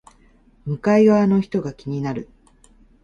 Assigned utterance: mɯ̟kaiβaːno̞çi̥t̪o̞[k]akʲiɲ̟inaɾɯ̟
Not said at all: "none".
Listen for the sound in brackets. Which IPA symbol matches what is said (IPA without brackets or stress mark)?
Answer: ɡ